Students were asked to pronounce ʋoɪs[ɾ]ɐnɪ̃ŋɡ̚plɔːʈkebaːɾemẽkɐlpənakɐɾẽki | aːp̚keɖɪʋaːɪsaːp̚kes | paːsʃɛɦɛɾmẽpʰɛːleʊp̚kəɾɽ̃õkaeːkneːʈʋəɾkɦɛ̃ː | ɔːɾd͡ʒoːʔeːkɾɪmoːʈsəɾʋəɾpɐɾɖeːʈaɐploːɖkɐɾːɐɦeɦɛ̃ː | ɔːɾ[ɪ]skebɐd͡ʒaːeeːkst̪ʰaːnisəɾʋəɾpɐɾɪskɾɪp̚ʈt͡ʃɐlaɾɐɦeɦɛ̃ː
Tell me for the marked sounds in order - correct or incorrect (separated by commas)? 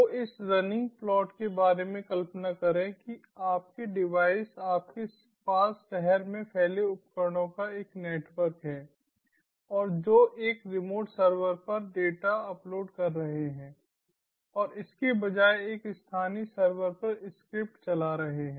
correct, correct